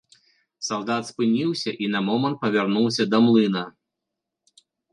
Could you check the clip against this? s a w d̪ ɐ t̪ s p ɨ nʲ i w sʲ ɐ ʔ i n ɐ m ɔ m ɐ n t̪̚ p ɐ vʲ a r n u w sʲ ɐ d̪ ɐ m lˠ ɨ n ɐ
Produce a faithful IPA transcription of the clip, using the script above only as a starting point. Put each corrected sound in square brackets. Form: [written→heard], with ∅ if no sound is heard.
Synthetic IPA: s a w d̪ [ɐ→a] t̪ s p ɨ nʲ i w sʲ ɐ ʔ i n ɐ m ɔ m ɐ n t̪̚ p ɐ vʲ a r n u w sʲ ɐ d̪ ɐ m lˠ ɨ n ɐ